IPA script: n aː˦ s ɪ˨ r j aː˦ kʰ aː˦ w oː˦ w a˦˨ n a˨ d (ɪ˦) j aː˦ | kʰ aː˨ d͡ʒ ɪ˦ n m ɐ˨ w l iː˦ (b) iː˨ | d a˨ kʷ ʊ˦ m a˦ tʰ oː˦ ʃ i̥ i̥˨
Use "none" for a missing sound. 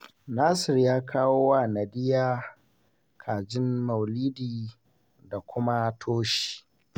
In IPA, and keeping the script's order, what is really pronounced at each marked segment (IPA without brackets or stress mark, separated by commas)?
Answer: ɪ˦, d